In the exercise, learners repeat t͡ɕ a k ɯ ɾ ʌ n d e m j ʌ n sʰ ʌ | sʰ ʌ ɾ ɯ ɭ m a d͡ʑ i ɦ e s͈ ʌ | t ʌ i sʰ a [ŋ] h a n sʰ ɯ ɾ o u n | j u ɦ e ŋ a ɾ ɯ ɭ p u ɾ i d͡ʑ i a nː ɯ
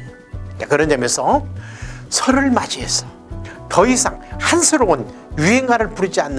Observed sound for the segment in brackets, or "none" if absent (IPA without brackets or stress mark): ŋ